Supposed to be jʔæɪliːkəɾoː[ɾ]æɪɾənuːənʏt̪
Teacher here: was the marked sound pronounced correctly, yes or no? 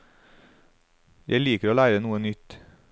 no